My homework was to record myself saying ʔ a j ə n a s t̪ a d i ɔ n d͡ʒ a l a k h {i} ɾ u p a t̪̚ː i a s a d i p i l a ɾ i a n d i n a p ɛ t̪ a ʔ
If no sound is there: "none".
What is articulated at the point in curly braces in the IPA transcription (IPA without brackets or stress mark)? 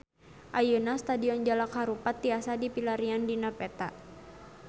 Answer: a